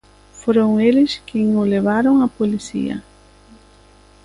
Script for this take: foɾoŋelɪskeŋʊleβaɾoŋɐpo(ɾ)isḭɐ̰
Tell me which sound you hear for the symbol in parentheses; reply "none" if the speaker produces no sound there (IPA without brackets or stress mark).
l